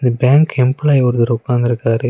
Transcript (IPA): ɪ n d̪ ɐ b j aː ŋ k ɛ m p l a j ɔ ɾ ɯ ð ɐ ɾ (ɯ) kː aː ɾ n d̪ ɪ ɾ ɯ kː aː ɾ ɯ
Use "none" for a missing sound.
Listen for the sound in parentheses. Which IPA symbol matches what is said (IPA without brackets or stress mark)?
ʊ